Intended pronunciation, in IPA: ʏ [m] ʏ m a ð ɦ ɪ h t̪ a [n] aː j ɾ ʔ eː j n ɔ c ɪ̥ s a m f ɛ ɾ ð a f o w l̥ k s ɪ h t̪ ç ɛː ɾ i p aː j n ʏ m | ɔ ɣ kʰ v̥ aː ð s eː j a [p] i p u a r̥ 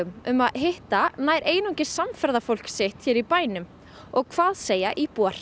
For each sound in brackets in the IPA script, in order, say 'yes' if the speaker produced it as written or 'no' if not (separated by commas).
yes, yes, no